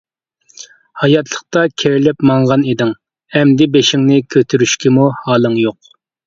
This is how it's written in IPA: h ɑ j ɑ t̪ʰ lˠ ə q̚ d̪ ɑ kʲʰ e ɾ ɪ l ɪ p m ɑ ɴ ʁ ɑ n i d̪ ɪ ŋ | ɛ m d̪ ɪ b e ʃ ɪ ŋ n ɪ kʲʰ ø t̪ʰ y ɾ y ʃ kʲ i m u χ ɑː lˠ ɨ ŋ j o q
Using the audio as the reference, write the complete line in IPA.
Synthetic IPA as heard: h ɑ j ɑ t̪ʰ lˠ ə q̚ t̪ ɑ kʲʰ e ɾ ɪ l ɪ p m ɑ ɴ ʁ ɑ n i d̪ ɪ ŋ | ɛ m d̪ ɪ b e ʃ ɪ ŋ n ɪ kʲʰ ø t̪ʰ y ɾ y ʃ kʲ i m u h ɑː lˠ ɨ ŋ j o q